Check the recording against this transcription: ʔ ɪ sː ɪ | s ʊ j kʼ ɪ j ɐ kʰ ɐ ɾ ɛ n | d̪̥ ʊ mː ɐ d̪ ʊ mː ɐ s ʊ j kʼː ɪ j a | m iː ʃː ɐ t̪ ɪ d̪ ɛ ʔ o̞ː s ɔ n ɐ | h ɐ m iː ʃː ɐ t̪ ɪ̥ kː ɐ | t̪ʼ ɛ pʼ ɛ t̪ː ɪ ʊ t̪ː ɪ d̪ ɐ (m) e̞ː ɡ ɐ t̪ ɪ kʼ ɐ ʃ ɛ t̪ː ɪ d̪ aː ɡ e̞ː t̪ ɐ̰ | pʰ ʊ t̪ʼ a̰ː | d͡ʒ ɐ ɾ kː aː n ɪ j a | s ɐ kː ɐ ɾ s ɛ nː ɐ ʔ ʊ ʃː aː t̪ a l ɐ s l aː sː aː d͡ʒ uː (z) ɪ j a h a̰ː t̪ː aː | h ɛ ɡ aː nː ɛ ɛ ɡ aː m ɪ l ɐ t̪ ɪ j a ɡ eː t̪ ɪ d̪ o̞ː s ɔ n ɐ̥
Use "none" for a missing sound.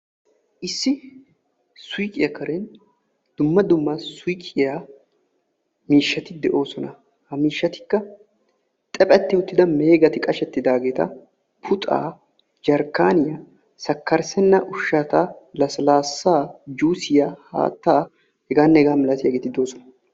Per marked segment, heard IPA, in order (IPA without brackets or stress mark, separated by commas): m, s